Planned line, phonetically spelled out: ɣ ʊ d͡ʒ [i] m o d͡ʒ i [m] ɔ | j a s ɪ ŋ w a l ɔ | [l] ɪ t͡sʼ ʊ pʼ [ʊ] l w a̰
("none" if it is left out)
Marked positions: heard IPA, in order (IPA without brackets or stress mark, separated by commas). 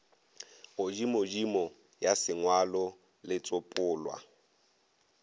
i, m, l, ʊː